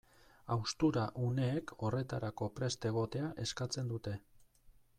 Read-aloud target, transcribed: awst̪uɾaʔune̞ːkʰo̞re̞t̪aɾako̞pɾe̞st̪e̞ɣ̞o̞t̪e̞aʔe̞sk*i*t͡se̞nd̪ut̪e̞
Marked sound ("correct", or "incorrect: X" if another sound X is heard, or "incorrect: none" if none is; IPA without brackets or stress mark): incorrect: a